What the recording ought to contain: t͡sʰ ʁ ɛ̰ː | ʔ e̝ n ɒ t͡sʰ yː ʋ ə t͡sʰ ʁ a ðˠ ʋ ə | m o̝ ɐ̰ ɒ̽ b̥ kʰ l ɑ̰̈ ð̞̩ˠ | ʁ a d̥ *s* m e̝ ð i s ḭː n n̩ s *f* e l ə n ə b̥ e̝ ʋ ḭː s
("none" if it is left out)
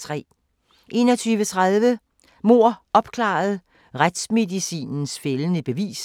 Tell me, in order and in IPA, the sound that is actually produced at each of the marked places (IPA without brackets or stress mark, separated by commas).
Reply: s, f